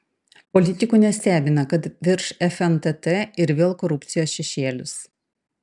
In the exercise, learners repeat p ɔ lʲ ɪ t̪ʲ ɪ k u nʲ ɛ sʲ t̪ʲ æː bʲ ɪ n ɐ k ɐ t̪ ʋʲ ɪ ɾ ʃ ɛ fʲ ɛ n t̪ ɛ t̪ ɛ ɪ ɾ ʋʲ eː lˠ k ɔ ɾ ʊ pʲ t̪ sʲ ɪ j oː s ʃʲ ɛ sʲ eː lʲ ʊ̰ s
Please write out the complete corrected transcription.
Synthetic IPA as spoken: p ɔ lʲ ɪ t̪ʲ ɪ k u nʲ ɛ sʲ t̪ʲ æː bʲ ɪ n ɐ k ɐ t̪ ʋʲ ɪ ɾ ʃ ɛ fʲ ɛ n t̪ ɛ t̪ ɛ ɪ ɾ ʋʲ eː lˠ k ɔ ɾ ʊ pʲ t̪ sʲ ɪ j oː s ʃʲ ɛ ʃʲ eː lʲ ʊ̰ s